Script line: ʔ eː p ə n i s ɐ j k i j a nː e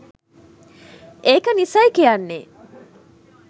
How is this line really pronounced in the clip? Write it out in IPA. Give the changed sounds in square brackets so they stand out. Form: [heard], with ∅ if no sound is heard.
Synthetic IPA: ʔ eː [k] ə n i s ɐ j k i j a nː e